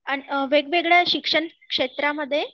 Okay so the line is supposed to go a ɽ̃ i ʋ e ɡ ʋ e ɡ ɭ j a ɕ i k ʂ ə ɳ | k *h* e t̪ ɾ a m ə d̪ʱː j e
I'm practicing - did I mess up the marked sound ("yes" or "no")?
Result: yes